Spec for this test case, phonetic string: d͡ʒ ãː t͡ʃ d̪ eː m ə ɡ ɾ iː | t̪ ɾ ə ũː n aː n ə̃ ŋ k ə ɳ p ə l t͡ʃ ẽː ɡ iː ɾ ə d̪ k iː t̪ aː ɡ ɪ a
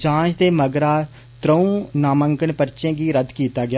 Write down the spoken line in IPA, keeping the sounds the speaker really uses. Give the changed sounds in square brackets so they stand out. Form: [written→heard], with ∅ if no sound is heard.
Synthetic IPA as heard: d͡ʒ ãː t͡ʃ d̪ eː m ə ɡ ɾ [iː→aː] | t̪ ɾ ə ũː n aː [n→m] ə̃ ŋ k ə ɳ p ə [l→ɾ] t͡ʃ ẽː ɡ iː ɾ ə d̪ k iː t̪ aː ɡ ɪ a